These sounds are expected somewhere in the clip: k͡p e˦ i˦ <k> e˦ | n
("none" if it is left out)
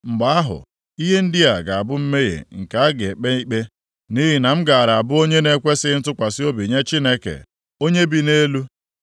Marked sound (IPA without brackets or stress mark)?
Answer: k͡p